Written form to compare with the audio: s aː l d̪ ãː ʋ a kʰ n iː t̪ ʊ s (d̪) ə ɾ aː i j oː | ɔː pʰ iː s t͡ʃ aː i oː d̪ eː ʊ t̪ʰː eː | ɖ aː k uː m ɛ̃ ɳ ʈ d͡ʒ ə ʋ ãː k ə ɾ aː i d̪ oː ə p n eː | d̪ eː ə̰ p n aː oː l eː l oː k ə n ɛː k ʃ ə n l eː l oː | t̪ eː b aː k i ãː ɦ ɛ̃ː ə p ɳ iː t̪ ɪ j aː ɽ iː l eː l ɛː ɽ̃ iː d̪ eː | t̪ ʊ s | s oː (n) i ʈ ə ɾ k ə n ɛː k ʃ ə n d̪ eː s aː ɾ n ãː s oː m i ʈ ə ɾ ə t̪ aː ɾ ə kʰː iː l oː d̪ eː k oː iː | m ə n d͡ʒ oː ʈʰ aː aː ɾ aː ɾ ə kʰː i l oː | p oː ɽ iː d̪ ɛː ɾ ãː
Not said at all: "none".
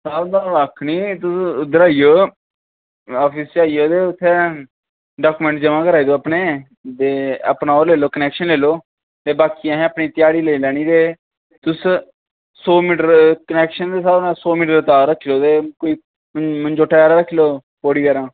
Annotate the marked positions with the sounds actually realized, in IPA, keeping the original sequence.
d̪, m

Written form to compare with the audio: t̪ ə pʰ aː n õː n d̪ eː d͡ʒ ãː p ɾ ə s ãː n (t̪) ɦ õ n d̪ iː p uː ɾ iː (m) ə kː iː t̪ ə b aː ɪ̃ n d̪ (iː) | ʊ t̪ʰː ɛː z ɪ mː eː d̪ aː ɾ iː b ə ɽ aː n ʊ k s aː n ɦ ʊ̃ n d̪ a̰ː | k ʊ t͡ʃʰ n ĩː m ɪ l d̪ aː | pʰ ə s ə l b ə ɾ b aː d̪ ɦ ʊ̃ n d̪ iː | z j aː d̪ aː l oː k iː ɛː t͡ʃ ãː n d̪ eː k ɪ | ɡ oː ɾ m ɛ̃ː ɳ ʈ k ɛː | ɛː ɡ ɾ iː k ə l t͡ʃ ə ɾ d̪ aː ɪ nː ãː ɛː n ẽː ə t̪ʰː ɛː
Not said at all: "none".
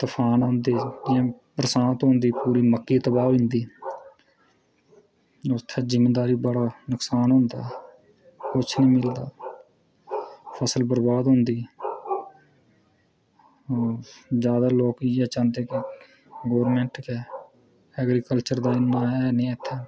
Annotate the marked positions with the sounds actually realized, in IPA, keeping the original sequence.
t̪, m, iː

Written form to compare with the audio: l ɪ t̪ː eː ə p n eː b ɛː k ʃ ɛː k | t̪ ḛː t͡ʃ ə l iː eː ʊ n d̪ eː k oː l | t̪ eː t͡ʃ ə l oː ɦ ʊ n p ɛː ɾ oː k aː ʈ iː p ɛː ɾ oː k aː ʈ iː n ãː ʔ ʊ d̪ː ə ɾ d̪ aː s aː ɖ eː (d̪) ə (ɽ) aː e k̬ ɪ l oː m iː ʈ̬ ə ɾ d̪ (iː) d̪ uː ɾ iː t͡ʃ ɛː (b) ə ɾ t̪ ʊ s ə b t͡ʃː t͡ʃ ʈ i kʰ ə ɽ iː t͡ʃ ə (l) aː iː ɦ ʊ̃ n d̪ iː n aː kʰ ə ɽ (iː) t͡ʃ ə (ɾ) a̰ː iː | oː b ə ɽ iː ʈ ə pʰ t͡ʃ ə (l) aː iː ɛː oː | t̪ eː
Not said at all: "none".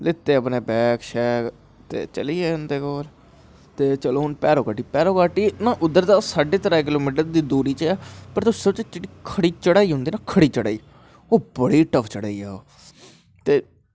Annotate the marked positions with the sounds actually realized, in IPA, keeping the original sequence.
t̪, ɾ, iː, p, ɽ, iː, ɽ, ɽ

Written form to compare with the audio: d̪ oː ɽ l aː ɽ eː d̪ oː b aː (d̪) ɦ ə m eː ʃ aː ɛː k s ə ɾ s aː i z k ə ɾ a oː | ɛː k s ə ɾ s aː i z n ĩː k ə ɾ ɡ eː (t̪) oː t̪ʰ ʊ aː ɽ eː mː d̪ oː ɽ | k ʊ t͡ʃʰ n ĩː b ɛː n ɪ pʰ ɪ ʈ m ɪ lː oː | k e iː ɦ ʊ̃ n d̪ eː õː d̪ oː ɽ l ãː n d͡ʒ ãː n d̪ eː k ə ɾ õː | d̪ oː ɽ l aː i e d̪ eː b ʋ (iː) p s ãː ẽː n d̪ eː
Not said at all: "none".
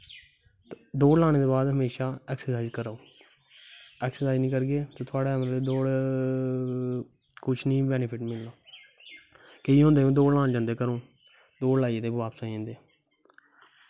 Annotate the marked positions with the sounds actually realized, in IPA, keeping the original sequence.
d̪, t̪, aː

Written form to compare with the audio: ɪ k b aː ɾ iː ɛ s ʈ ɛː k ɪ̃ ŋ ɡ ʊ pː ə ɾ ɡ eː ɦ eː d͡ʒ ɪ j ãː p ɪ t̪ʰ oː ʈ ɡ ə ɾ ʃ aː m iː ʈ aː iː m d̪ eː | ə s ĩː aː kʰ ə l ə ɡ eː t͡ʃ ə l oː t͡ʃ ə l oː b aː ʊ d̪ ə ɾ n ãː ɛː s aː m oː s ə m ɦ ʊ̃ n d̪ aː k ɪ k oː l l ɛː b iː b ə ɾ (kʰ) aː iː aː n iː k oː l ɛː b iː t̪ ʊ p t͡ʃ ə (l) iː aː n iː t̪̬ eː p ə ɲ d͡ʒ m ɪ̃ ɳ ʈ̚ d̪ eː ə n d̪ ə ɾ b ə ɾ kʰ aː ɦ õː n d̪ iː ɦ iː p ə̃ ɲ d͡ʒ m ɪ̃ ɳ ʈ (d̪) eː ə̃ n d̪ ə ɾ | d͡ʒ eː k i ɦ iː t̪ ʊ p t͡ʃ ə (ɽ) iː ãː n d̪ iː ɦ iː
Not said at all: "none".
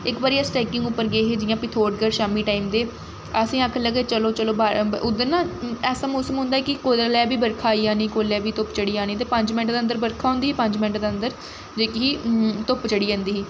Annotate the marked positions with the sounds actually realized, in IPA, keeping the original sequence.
kʰ, ɽ, d̪, ɽ

